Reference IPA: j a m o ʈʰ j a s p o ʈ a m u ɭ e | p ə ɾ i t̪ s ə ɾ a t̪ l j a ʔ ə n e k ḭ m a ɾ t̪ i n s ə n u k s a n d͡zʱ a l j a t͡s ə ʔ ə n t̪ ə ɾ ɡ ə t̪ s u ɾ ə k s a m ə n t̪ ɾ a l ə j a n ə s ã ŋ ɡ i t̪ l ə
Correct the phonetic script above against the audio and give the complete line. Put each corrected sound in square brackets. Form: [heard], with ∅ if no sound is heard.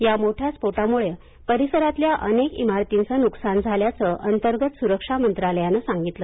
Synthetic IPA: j a m o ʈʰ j a s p o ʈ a m u ɭ e | p ə ɾ i [∅] s ə ɾ a t̪ l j a ʔ ə n e k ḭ m a ɾ t̪ i n [t͡s] ə n u k s a n d͡zʱ a l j a t͡s ə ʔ ə n t̪ ə ɾ ɡ ə t̪ s u ɾ ə k [ʂ] a m ə n t̪ ɾ a l ə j a n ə s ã ŋ ɡ i t̪ l ə